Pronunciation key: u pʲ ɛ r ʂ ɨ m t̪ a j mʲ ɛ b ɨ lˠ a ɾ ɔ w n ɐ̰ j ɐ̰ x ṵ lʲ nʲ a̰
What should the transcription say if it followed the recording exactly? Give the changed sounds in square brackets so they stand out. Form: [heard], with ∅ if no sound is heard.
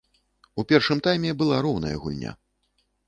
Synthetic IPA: u pʲ ɛ r ʂ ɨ m t̪ a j mʲ ɛ b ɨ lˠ a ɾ ɔ w n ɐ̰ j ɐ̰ [ɣ] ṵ lʲ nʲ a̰